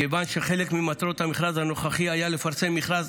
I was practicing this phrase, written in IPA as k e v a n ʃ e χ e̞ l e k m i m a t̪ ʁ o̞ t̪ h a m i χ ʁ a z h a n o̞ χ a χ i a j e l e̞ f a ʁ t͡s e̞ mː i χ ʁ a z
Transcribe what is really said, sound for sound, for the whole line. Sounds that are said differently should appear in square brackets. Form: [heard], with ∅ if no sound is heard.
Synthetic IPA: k e v a n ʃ e χ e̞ l e k m i m a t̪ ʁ o̞ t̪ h a m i χ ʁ a z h a n o̞ χ a χ i a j [a] l e̞ f a ʁ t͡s e̞ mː i χ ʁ a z